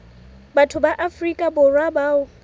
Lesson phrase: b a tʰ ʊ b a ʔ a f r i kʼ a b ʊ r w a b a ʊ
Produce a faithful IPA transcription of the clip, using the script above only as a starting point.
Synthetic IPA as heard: b a tʰ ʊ b a ʔ a f r i kʼ a b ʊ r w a b a ʊ